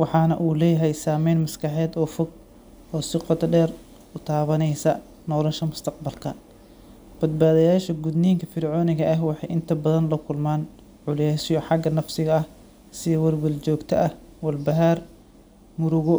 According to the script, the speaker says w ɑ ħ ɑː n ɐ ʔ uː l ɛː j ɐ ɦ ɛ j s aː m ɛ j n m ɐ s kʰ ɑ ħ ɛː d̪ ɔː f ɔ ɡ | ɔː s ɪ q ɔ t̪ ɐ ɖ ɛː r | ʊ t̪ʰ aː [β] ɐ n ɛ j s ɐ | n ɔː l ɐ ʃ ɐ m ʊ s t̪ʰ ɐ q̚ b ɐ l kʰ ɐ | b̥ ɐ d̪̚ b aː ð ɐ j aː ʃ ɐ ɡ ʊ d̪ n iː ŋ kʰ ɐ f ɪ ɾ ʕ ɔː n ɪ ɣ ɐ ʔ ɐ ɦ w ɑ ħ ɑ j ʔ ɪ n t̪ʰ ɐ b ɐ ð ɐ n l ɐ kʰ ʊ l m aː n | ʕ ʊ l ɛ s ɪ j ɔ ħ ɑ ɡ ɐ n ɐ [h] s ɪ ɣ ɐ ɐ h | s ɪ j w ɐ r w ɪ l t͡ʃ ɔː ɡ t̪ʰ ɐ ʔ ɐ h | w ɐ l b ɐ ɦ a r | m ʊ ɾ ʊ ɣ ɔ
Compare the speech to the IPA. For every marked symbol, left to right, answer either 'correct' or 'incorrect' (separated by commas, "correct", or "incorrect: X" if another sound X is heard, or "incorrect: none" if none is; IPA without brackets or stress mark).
correct, incorrect: f